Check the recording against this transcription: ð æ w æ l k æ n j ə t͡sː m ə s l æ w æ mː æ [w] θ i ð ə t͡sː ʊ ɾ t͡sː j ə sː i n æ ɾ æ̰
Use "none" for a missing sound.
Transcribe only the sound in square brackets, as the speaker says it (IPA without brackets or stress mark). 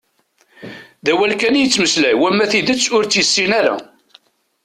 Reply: none